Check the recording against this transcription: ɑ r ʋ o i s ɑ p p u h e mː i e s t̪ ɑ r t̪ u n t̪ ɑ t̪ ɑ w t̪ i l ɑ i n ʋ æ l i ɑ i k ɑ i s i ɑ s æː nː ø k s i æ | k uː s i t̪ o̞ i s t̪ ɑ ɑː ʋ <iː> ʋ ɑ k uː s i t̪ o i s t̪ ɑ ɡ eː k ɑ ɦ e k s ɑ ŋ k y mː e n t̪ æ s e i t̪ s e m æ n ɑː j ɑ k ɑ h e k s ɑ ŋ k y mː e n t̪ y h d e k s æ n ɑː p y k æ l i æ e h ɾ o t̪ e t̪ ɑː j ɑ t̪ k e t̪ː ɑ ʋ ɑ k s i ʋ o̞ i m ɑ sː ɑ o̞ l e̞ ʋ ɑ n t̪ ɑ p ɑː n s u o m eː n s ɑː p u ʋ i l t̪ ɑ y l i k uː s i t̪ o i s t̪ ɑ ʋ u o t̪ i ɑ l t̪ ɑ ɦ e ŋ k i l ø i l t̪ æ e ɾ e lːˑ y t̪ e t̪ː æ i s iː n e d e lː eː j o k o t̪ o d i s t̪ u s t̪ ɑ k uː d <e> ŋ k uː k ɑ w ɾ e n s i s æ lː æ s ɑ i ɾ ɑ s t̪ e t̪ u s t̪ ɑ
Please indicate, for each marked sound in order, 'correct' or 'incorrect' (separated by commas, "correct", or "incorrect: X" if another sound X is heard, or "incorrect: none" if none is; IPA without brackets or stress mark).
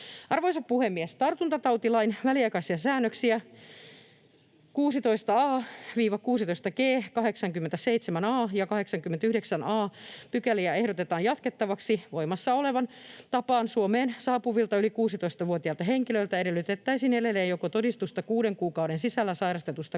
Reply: correct, correct